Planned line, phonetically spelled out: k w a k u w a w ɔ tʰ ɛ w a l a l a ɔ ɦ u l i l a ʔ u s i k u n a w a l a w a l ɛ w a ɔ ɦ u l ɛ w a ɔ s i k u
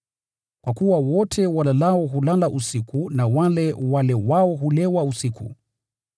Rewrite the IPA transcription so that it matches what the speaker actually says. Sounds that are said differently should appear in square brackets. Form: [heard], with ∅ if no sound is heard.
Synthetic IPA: k w a k u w a w ɔ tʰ ɛ w a l a l a ɔ ɦ u l [a] l a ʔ u s i k u n a w a l [ɛ] w a l ɛ w a ɔ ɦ u l ɛ w a [u] s i k u